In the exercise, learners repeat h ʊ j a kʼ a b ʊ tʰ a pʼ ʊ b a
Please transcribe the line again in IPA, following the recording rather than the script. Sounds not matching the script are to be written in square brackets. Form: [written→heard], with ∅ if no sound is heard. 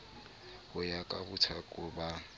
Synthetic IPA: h ʊ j a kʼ a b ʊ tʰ a [pʼ→kʼ] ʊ b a